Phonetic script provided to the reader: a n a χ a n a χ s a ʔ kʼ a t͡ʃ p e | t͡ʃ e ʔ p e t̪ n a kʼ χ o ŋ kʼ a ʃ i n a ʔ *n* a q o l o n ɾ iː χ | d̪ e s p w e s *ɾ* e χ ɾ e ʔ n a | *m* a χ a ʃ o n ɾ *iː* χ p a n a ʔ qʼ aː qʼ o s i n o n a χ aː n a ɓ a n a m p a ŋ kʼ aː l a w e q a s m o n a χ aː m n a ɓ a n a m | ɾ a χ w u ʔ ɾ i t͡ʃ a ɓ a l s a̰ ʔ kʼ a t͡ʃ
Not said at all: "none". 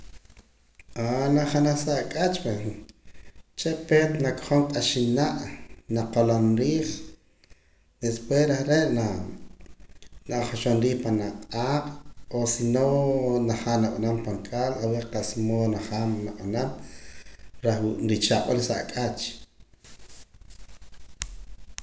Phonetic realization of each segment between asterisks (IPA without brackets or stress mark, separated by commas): n, ɾ, n, iː